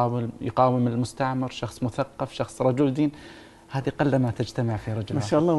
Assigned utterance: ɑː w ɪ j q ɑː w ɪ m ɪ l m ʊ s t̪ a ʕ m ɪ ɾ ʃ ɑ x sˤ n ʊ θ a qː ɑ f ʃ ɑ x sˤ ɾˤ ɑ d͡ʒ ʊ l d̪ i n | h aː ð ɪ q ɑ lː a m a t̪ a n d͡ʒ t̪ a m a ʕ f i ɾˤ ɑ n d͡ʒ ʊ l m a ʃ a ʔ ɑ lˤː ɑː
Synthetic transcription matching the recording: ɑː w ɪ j q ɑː w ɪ m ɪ l m ʊ s t̪ a ʕ m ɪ ɾ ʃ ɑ x sˤ m ʊ θ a qː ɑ f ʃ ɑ x sˤ ɾˤ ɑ d͡ʒ ʊ l d̪ iː n | h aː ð i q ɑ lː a m a t̪ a d͡ʒ t̪ a m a ʕ f i ɾˤ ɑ d͡ʒ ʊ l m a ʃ a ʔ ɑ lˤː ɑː